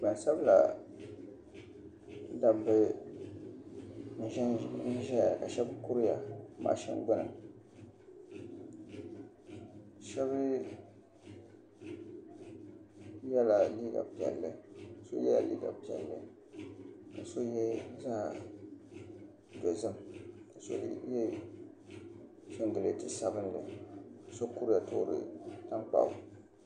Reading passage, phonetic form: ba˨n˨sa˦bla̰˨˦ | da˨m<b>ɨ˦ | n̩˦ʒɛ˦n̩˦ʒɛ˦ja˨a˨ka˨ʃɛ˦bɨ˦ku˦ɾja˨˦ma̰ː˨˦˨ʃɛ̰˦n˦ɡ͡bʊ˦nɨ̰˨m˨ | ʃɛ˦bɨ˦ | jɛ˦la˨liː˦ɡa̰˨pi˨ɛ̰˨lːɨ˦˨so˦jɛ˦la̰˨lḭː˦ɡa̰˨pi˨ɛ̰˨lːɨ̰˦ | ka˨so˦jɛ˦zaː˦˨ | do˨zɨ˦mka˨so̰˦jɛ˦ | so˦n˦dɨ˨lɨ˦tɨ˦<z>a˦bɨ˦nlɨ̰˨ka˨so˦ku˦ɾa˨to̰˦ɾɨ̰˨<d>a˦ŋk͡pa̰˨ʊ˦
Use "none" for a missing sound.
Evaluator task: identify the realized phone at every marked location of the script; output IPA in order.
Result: b, s, t

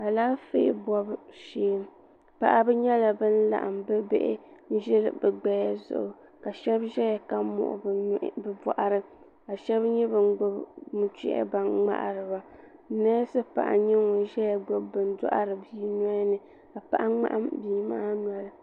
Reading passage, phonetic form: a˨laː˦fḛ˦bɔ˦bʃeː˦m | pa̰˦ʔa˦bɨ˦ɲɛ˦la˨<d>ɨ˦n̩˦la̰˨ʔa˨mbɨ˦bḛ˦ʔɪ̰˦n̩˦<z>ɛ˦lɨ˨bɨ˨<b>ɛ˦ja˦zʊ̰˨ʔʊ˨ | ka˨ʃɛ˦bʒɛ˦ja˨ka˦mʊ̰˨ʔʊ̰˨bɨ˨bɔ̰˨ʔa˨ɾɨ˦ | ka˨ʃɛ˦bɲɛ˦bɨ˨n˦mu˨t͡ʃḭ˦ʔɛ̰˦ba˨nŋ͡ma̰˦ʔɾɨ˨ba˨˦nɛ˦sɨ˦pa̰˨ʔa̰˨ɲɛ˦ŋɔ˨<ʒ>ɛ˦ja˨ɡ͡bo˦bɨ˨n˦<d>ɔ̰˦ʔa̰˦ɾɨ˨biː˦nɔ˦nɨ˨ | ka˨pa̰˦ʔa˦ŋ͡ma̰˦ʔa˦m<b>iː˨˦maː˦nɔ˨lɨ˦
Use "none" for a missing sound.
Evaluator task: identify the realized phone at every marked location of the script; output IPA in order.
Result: b, ʒ, ɡ͡b, ʒ, d, b

